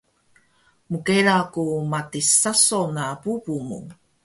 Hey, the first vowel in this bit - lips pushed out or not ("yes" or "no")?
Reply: yes